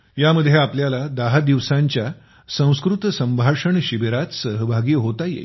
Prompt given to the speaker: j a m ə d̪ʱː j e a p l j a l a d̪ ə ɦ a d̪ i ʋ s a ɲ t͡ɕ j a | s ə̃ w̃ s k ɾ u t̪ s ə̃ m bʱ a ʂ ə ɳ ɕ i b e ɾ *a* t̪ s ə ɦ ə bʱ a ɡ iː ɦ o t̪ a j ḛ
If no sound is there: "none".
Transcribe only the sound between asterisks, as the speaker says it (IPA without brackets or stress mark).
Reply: a